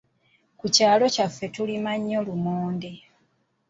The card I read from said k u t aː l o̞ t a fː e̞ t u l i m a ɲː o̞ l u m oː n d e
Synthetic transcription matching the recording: k u c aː l o̞ c a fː e̞ t u l i m a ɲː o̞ l u m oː n d e